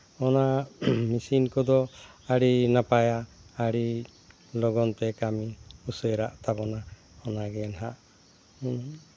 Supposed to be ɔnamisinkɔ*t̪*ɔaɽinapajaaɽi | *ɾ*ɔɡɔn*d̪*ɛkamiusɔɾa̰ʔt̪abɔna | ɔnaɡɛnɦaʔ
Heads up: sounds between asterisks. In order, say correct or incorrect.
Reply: incorrect, incorrect, incorrect

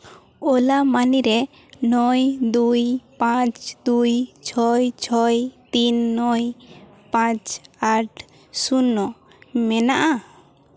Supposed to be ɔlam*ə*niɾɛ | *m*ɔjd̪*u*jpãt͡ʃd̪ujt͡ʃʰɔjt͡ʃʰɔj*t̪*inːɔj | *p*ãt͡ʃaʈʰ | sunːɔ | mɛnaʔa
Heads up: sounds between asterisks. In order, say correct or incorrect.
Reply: incorrect, incorrect, correct, correct, correct

